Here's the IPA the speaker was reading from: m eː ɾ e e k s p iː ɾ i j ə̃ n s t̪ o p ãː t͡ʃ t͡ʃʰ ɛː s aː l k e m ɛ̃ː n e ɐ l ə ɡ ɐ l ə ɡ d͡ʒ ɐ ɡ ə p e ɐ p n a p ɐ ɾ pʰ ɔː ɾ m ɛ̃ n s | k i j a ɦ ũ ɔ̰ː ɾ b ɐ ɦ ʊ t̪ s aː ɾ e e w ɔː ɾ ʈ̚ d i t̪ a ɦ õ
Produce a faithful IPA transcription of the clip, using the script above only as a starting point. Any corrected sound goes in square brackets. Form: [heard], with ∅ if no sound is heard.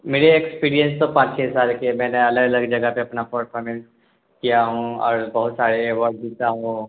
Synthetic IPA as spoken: m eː ɾ e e k s p iː ɾ i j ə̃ n s t̪ o p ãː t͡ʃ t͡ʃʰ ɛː s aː l k e m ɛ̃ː n e ɐ l ə ɡ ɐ l ə ɡ d͡ʒ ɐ ɡ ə p e ɐ p n a p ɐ ɾ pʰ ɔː ɾ m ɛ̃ n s | k i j a ɦ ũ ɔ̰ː ɾ b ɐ ɦ ʊ t̪ s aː ɾ e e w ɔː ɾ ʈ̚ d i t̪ a ɦ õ